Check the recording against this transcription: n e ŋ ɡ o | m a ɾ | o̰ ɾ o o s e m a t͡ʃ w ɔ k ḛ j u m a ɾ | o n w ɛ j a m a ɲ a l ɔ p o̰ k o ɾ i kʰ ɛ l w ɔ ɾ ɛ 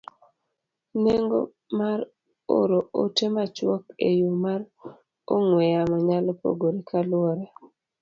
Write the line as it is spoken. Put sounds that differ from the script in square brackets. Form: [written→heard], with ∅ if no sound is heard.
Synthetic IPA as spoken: n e ŋ ɡ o | m a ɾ | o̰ ɾ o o [s→t] e m a t͡ʃ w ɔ k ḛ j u m a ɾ | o [n→ŋ] w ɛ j a m a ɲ a l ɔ p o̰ [k→ɡ] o ɾ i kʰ [ɛ→a] l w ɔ ɾ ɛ